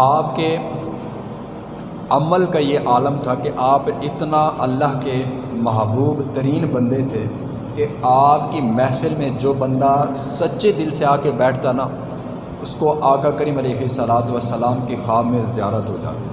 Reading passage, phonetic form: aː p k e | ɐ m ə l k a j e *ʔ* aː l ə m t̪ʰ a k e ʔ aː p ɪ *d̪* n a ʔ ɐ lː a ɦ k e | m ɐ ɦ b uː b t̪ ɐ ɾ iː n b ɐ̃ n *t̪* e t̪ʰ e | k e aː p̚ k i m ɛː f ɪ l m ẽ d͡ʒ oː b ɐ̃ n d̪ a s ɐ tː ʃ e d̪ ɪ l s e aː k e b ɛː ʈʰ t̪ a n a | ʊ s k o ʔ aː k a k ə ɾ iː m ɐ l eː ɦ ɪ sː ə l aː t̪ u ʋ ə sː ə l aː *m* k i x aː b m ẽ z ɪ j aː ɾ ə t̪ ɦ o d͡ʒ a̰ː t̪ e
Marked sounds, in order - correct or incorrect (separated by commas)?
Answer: correct, incorrect, incorrect, correct